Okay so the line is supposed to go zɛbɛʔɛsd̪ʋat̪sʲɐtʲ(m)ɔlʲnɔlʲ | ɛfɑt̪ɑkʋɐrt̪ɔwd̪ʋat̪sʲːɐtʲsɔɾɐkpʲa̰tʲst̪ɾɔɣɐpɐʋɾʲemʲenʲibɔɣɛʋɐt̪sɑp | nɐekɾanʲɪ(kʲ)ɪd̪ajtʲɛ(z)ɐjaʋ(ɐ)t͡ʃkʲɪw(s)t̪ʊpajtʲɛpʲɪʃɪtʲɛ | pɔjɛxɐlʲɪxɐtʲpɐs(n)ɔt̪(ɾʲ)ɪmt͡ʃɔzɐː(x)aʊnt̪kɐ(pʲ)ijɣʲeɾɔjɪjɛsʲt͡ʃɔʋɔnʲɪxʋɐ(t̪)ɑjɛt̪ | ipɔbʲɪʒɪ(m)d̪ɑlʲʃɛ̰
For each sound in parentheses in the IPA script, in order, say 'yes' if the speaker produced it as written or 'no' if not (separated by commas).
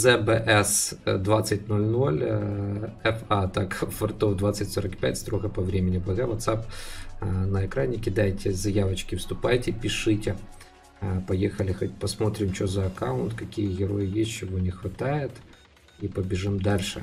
no, yes, yes, yes, yes, no, yes, no, no, yes, yes